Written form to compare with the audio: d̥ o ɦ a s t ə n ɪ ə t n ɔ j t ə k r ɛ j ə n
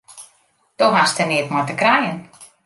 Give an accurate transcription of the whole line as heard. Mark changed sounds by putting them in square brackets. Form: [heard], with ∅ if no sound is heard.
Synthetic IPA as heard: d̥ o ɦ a s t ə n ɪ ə t [m] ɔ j t ə k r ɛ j ə n